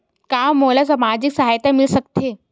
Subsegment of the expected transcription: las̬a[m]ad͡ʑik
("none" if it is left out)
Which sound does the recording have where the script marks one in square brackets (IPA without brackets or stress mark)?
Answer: m